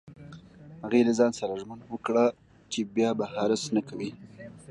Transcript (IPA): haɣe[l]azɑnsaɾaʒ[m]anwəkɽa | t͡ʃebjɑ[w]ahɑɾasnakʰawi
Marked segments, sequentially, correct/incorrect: correct, correct, incorrect

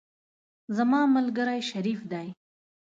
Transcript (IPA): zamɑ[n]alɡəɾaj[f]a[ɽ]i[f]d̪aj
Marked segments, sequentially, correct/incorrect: incorrect, incorrect, incorrect, correct

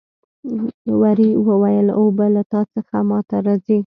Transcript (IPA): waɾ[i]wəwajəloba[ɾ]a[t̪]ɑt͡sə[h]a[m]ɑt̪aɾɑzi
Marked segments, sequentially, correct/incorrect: correct, incorrect, correct, incorrect, correct

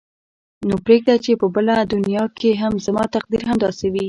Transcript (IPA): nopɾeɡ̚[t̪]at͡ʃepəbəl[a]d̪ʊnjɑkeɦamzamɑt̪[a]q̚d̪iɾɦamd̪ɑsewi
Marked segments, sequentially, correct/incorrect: incorrect, correct, correct

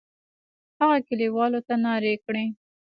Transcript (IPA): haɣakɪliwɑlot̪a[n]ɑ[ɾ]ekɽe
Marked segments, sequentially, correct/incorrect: correct, correct

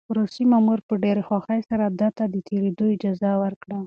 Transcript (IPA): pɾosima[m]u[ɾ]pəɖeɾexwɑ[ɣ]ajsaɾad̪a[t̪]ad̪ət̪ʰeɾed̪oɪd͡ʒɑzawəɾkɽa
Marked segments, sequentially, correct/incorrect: correct, correct, incorrect, correct

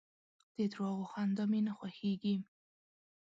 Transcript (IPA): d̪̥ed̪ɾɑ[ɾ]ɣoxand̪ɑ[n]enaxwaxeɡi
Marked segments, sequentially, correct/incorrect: incorrect, incorrect

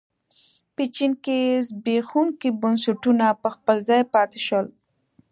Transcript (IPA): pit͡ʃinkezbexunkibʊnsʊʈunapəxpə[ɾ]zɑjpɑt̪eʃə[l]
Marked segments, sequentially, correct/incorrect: incorrect, correct

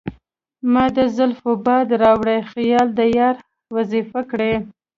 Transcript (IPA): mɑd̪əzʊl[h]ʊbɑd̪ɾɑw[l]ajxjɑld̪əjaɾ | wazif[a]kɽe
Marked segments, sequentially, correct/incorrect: incorrect, incorrect, correct

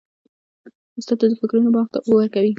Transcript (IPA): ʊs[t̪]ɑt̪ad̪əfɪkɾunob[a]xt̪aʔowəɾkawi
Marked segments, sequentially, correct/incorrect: correct, incorrect

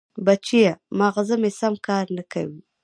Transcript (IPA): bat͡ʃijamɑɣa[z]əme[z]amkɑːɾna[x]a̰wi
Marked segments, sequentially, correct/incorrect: correct, incorrect, incorrect

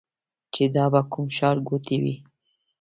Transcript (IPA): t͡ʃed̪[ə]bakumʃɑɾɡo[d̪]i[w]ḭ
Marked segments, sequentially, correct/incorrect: incorrect, incorrect, correct

